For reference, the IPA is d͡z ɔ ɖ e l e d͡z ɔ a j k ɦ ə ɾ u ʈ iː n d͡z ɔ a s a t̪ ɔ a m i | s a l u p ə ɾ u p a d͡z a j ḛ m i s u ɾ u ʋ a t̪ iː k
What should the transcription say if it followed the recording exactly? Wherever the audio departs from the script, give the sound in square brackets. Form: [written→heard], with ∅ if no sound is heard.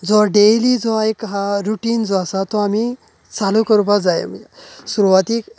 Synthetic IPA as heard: d͡z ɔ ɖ e l [e→i] d͡z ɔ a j k ɦ [ə→a] ɾ u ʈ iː n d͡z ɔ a s a t̪ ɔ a m i | [s→t͡s] a l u [p→k] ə ɾ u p a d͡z a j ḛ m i s u ɾ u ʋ a t̪ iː k